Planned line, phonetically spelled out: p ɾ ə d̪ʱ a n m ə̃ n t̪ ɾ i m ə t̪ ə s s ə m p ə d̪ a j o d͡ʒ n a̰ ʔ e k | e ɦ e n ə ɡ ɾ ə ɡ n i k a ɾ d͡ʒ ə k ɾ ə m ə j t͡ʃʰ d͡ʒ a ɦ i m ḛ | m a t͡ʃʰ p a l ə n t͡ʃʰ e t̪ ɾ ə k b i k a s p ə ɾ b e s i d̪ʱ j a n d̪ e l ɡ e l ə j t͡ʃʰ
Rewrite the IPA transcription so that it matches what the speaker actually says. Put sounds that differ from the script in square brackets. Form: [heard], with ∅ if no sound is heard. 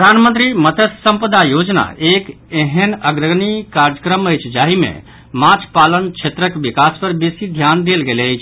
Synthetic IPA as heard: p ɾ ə d̪ʱ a n m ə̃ n t̪ ɾ i m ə t̪ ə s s ə m p ə d̪ a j o d͡ʒ n a̰ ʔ e k | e ɦ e n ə ɡ ɾ ə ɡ n i k a ɾ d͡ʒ ə k ɾ ə m ə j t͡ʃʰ d͡ʒ a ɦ i m ḛ | m a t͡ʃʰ p a l ə n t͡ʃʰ e t̪ ɾ ə k b i k a s p ə ɾ b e s i d̪ʱ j a n d̪ e l ɡ e l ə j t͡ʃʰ

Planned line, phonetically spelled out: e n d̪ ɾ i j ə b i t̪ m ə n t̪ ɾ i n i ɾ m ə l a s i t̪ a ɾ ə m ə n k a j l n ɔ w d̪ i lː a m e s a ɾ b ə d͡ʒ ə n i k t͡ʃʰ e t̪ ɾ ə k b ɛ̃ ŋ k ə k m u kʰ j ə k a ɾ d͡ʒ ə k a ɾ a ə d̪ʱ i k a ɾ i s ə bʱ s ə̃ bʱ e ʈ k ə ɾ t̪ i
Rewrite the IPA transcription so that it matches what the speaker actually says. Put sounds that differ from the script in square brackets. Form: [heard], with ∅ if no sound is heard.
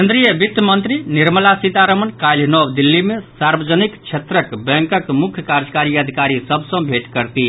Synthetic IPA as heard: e n d̪ ɾ i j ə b i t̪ m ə n t̪ ɾ i n i ɾ m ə l a s i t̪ a ɾ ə m ə n k a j l n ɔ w d̪ i lː [i] m e s a ɾ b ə d͡ʒ ə n i k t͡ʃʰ e t̪ ɾ ə k b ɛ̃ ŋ k ə k m u kʰ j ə k a ɾ d͡ʒ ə k a ɾ [i] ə d̪ʱ i k a ɾ i s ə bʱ s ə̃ bʱ e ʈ k ə ɾ t̪ i

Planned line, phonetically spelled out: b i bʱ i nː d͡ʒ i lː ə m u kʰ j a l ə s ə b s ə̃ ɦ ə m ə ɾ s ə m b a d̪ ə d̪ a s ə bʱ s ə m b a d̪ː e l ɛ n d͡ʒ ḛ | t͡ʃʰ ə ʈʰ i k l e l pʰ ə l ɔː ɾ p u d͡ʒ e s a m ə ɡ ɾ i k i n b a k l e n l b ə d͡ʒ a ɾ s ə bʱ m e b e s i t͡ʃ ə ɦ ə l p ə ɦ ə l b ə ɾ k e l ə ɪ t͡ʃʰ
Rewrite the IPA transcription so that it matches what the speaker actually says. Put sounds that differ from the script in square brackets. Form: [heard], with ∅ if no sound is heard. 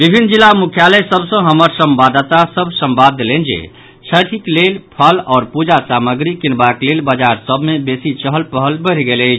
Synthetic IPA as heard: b i bʱ i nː d͡ʒ i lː [a] m u kʰ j a l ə s ə b s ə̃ ɦ ə m ə ɾ s ə m b a d̪ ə [t̪] a s ə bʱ s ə m b a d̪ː e l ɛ n d͡ʒ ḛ | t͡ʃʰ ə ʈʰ i k l e l pʰ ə l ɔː ɾ p u d͡ʒ [a] s a m ə ɡ ɾ i k i n b a k l e [∅] l b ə d͡ʒ a ɾ s ə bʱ m e b e s i t͡ʃ ə ɦ ə l p ə ɦ ə l b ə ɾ [ɡ] e l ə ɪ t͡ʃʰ

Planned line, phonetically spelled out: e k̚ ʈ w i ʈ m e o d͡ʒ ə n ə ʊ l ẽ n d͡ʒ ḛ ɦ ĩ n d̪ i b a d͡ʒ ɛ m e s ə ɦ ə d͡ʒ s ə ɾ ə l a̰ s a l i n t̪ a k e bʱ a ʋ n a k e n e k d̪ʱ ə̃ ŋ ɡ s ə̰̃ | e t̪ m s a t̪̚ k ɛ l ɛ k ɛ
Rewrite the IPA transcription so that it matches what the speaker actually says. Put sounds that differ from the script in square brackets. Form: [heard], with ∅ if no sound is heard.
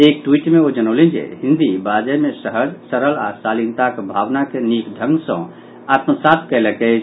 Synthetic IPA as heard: e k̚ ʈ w i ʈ m e o d͡ʒ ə n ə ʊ l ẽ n d͡ʒ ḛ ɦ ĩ n d̪ i b a d͡ʒ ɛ m e s ə ɦ ə d͡ʒ s ə ɾ ə l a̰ s a l i n t̪ a k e bʱ a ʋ n a k e n [i] k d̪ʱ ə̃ ŋ ɡ s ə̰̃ | [a] t̪ m s a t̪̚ k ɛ l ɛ k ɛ

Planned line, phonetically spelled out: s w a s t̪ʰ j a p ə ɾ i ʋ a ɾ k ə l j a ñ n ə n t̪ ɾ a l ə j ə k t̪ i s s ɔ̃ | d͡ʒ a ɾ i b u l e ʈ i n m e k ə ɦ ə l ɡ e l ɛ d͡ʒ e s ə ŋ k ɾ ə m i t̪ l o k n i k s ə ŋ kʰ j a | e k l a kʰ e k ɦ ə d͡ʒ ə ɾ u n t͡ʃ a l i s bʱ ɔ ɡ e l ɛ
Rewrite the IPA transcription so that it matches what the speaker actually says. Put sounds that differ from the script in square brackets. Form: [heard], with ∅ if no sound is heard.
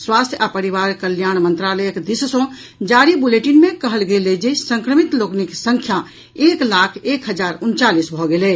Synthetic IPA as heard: s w a s t̪ʰ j a p ə ɾ i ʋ a ɾ k ə l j a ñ [m] ə n t̪ ɾ a l ə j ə k [d̪] i s s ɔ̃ | d͡ʒ a ɾ i b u l e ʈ i n m e k ə ɦ ə l ɡ e l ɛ d͡ʒ e s ə ŋ k ɾ ə m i t̪ l o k n i k s ə ŋ kʰ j a | e k l a kʰ e k ɦ ə d͡ʒ [a] ɾ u n t͡ʃ a l i s bʱ ɔ ɡ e l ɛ

